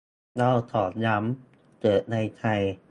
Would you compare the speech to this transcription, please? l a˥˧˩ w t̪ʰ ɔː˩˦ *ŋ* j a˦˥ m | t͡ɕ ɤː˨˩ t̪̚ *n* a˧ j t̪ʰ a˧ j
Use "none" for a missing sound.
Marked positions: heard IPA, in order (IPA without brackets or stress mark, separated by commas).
n, n